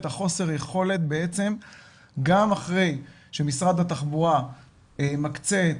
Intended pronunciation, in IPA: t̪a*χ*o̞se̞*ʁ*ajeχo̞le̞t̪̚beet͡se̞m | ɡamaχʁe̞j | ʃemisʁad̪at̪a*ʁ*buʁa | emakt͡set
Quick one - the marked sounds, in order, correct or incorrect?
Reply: correct, correct, incorrect: χ

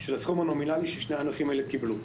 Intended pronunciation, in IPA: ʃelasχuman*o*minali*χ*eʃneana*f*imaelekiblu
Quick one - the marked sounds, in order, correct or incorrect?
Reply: correct, incorrect: ʃ, correct

